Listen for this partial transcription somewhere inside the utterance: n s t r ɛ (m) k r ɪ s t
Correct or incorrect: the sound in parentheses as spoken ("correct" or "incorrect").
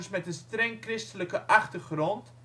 incorrect